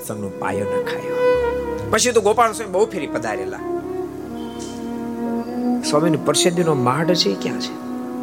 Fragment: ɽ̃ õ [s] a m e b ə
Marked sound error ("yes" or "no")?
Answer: no